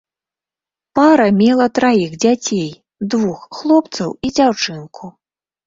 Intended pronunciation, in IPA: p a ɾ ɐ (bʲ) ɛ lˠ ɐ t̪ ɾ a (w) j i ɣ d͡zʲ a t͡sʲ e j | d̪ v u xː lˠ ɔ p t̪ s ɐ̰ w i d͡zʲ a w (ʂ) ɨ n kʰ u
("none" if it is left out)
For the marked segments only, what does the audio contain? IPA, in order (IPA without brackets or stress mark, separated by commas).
mʲ, none, t͡ʂ